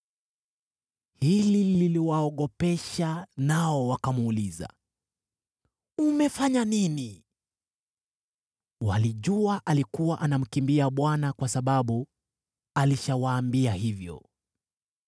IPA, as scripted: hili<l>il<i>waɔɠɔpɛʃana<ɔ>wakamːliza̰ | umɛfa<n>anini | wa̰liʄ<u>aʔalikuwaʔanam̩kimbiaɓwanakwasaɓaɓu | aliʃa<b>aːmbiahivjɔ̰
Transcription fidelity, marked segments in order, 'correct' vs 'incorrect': correct, correct, correct, incorrect: ɲ, correct, incorrect: w

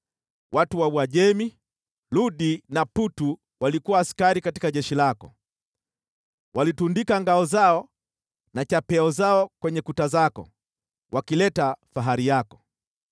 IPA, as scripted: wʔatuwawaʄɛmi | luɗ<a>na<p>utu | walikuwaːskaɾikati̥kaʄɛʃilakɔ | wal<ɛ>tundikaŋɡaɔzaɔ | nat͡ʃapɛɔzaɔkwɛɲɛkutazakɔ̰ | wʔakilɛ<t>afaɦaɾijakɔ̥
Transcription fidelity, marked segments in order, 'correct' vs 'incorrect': incorrect: i, correct, incorrect: i, correct

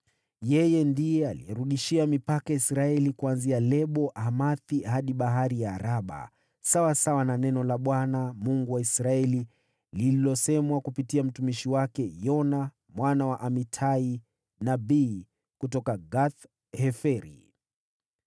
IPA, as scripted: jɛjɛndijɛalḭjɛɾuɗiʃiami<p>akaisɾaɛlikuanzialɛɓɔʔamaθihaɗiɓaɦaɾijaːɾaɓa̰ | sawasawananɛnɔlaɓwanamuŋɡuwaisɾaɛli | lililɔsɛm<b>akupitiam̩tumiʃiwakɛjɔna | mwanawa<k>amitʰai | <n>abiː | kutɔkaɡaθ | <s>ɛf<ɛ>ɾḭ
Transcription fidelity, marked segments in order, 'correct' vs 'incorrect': correct, incorrect: w, incorrect: ʔ, correct, incorrect: h, correct

